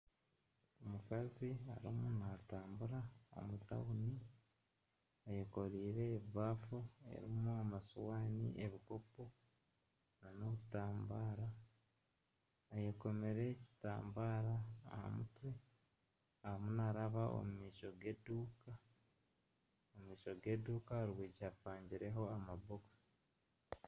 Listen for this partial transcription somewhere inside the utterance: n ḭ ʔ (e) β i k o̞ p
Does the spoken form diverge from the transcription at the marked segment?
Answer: no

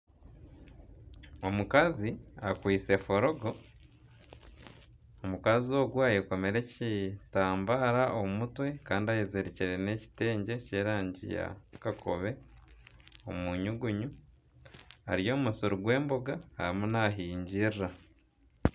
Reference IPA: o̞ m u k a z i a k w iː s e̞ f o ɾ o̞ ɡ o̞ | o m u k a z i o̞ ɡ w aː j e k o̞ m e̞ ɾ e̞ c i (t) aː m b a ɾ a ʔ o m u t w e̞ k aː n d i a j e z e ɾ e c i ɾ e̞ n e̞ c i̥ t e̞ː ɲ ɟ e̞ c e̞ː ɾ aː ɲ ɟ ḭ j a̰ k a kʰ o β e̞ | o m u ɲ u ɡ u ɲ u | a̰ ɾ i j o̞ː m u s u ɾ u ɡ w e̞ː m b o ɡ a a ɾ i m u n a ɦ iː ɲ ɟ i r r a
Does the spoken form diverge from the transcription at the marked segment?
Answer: no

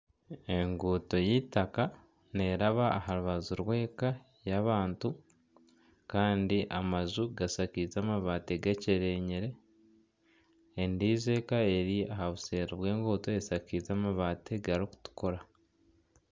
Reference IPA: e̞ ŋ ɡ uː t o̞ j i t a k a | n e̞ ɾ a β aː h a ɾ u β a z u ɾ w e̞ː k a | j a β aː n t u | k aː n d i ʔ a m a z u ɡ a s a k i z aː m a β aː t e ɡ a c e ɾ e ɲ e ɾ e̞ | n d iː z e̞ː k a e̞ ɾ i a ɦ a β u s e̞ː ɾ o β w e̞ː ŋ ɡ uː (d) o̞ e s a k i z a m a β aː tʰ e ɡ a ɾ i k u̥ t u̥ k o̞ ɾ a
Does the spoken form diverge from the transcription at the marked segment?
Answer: yes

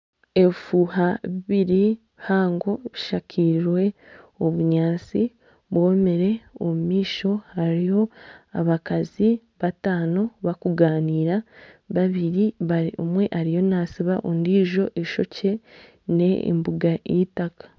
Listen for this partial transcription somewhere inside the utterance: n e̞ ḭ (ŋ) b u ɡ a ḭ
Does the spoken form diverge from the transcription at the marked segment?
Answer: yes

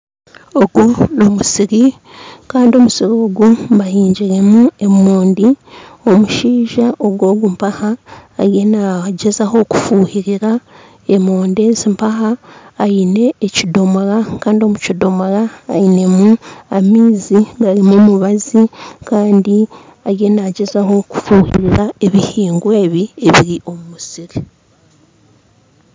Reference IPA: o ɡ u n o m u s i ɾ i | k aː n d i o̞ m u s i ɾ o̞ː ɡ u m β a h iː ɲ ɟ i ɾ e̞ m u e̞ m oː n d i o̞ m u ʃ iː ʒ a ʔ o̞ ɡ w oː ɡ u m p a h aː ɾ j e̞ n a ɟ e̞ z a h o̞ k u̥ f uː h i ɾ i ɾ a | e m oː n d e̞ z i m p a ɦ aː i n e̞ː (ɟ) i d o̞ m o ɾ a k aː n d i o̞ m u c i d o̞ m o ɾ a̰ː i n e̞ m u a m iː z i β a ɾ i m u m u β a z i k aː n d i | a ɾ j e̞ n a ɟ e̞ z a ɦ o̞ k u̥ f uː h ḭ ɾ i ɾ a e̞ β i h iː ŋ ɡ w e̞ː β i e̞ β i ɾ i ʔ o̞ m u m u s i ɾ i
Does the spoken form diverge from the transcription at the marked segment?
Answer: yes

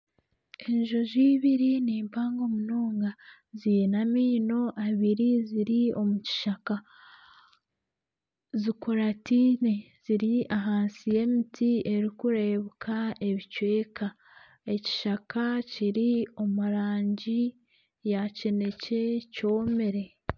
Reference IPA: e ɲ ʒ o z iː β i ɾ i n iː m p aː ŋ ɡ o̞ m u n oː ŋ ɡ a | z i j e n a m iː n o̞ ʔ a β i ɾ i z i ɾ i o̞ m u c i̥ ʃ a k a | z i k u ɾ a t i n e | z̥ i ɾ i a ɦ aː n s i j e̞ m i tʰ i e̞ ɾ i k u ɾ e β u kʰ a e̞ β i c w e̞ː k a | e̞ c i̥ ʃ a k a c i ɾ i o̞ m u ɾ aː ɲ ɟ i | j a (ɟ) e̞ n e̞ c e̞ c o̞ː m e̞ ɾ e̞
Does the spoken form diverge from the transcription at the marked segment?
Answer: yes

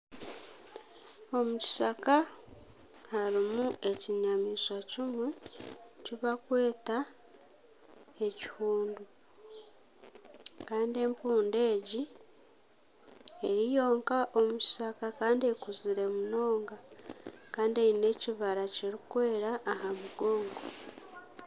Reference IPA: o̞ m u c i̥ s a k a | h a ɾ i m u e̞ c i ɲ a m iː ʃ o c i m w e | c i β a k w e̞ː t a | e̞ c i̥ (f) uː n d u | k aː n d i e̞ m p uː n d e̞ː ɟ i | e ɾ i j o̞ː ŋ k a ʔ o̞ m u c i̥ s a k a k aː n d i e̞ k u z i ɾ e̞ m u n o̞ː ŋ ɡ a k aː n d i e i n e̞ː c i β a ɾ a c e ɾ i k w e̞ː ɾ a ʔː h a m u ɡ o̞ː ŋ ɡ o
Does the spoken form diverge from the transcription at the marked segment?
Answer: yes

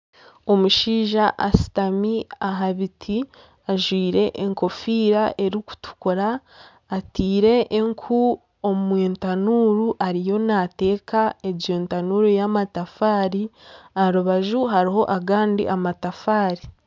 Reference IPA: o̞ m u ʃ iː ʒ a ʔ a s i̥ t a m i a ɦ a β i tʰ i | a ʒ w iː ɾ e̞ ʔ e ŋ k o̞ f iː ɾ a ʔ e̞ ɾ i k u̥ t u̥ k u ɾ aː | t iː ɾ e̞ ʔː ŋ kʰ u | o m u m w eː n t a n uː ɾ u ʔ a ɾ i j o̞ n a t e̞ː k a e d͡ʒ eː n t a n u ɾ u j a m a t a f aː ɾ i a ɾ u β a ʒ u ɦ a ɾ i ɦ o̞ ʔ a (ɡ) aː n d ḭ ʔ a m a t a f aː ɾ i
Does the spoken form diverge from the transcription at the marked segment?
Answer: no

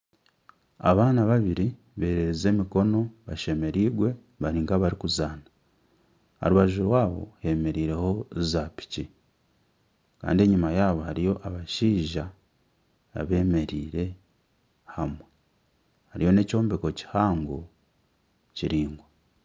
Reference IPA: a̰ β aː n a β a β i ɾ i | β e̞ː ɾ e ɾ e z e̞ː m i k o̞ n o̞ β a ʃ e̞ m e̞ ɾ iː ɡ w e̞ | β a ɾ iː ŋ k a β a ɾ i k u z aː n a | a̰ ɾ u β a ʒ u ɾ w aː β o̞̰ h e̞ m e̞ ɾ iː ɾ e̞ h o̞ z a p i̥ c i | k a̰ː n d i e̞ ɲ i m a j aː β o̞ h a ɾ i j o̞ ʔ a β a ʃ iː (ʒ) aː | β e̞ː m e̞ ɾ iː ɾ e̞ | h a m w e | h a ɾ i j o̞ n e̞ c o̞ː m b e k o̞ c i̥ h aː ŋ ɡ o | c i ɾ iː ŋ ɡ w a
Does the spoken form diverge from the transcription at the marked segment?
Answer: no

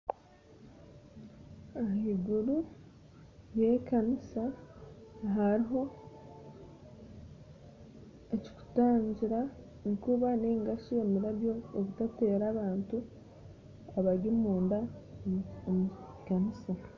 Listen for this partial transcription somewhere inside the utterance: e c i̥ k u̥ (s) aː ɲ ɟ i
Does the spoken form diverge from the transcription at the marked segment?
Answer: yes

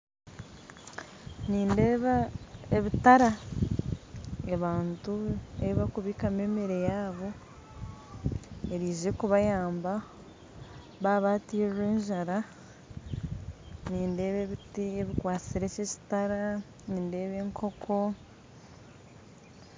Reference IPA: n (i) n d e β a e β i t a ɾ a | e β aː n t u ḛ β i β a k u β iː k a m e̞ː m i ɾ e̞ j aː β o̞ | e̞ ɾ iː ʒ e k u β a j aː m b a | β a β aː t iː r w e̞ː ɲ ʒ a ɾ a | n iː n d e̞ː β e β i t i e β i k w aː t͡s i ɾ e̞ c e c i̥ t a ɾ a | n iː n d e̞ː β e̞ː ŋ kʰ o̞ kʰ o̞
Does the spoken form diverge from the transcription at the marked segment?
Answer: yes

